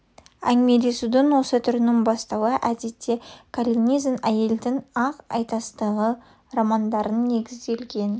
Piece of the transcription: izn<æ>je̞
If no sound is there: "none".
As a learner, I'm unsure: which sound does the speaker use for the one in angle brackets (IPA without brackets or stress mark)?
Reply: æ